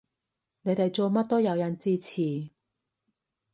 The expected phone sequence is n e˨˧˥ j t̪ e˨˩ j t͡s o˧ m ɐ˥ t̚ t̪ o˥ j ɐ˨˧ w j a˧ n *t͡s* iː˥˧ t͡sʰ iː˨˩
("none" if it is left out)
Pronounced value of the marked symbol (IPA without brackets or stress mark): t͡s